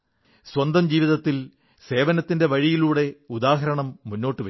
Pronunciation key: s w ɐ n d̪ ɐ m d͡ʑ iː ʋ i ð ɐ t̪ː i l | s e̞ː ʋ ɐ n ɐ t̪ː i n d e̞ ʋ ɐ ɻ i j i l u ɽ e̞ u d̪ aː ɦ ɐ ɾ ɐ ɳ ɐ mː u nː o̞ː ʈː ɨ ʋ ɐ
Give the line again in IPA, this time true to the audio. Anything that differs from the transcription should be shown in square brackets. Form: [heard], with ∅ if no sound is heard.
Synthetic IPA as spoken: s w ɐ n d̪ ɐ m d͡ʑ iː ʋ i ð ɐ t̪ː i l | s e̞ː ʋ ɐ n ɐ t̪ː i n d e̞ ʋ ɐ ɻ i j i l [uː] ɽ e̞ u d̪ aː ɦ ɐ ɾ ɐ ɳ ɐ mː u nː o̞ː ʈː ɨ ʋ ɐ